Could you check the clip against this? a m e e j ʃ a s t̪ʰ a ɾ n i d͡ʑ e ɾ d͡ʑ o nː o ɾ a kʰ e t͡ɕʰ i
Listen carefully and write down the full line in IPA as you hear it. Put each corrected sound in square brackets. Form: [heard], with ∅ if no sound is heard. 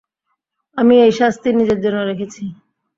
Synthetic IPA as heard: a m [i] e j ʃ a s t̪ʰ [i] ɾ n i d͡ʑ e ɾ d͡ʑ o nː o ɾ [e] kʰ e t͡ɕʰ i

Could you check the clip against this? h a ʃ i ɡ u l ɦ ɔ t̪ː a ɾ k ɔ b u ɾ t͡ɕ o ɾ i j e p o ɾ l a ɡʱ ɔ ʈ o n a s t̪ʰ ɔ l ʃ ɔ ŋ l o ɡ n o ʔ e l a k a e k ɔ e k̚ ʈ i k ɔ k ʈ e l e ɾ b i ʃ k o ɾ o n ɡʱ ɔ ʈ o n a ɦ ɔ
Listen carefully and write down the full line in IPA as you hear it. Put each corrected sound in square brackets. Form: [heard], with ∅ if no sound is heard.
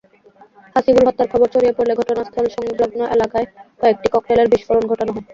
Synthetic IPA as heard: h a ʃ i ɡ u l ɦ ɔ t̪ː a ɾ [kʰ] ɔ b [o] ɾ t͡ɕ o ɾ i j e p o ɾ l [e] ɡʱ ɔ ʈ o n a s t̪ʰ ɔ l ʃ ɔ ŋ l o ɡ n o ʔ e l a k a e k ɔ e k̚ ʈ i k ɔ k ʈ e l e ɾ b i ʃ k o ɾ o n ɡʱ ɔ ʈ o n a ɦ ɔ

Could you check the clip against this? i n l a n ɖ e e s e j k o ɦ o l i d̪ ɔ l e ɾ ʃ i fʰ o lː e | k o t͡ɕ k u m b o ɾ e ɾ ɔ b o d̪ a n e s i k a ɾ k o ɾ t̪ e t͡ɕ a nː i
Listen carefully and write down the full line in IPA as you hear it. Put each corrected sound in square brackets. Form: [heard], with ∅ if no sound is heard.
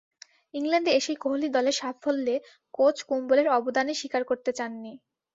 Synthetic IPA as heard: i [ŋ] l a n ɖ e e [ʃ] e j k o ɦ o l i d̪ ɔ l e ɾ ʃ [a] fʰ o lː e | k o t͡ɕ k u m b o [l] e ɾ ɔ b o d̪ a n e [ʃ] i k a ɾ k o ɾ t̪ e t͡ɕ a nː i

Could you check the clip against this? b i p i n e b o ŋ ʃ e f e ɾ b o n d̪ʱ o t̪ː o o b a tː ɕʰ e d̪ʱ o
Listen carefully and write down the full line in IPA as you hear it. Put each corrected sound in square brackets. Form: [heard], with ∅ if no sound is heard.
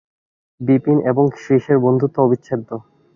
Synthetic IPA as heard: b i p i n e b o ŋ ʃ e [ʃ] e ɾ b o n d̪ʱ [u] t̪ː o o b [i] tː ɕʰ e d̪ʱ o

